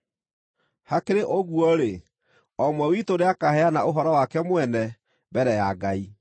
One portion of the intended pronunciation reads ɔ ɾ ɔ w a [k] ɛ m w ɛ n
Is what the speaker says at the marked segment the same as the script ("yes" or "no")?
yes